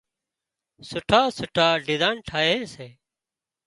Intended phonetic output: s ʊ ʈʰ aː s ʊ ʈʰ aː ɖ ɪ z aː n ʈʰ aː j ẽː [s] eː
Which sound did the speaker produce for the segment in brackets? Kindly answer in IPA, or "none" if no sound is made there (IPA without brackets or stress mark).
s